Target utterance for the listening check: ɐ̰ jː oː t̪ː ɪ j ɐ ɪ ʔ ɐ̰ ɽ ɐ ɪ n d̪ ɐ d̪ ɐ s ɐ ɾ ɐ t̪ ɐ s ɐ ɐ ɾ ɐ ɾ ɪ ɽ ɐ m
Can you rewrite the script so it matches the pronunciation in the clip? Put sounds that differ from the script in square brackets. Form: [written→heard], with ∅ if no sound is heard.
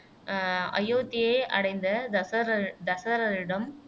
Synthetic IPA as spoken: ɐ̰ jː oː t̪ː ɪ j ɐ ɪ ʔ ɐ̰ ɽ ɐ ɪ n d̪ ɐ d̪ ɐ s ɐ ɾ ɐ [t̪→d̪] ɐ s ɐ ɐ ɾ ɐ ɾ ɪ ɽ ɐ m

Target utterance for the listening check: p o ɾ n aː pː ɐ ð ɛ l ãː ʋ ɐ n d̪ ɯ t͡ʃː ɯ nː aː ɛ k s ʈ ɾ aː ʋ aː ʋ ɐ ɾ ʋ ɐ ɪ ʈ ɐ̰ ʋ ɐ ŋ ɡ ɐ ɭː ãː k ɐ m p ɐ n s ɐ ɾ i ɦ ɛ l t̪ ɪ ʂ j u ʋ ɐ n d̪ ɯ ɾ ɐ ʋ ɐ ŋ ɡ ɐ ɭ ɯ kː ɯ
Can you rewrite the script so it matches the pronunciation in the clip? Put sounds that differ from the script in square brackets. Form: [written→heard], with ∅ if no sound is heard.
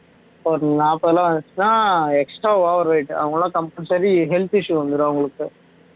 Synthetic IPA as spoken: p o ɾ n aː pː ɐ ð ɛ l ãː ʋ ɐ n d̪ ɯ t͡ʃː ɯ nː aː ɛ k s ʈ ɾ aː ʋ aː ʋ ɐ ɾ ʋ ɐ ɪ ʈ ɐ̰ ʋ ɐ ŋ ɡ ɐ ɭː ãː k ɐ m p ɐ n s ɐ ɾ i ɦ ɛ l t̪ ɪ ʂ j u ʋ ɐ n d̪ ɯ ɾ ɐ ʋ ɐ ŋ ɡ ɐ ɭ ɯ kː ɯ

